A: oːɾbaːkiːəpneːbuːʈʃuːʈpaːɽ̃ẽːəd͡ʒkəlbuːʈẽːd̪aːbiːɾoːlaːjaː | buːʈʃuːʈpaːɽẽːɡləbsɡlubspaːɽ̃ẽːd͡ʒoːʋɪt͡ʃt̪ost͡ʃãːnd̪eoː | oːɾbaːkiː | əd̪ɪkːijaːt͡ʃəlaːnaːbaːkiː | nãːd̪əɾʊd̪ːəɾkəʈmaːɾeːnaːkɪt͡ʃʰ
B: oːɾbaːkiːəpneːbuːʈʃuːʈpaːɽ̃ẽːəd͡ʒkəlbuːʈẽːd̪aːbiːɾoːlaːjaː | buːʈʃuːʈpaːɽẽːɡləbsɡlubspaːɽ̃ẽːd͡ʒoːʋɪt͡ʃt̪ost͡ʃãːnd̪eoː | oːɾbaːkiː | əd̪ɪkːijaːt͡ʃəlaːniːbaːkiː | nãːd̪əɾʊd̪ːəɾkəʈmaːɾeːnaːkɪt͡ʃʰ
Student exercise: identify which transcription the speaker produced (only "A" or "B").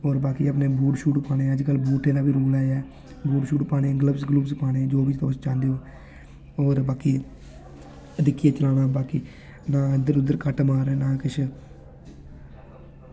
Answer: A